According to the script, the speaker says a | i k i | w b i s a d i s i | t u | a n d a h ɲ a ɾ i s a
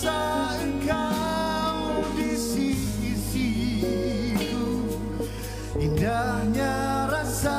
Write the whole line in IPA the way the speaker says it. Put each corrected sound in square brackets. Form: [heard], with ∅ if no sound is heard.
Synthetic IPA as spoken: a | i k [a] | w [d] i s [i] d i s i | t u | [i] n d a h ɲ a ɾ [a] s a